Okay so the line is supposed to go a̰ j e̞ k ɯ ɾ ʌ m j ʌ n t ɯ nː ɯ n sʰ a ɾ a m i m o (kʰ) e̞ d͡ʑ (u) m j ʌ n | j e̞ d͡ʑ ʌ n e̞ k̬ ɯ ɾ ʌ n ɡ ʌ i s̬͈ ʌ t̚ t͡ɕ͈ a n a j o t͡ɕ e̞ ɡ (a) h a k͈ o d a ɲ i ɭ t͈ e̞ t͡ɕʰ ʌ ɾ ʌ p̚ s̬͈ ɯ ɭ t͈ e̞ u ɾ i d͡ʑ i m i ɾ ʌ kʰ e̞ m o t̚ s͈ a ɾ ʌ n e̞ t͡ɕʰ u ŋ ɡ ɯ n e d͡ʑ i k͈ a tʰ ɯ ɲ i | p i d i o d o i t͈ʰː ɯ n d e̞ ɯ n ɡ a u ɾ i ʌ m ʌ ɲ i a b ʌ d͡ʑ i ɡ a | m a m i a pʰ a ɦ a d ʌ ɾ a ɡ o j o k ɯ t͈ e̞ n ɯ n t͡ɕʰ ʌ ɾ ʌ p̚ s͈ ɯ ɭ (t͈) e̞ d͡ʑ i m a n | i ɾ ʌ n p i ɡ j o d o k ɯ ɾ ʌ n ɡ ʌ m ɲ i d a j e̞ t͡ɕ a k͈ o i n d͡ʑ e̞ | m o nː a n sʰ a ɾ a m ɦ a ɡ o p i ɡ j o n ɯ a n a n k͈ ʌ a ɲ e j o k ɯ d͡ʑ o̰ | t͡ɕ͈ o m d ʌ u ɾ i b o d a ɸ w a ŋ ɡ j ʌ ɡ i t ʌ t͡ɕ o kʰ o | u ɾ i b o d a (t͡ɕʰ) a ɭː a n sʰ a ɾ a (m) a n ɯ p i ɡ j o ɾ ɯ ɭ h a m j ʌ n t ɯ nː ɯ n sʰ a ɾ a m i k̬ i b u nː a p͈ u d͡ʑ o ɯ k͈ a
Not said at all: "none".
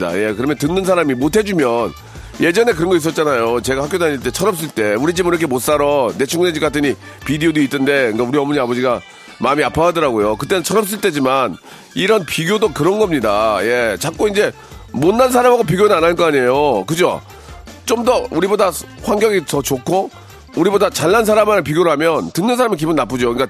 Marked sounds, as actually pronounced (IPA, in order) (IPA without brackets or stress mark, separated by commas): tʰ, u, a, t͈, t͡ɕ, m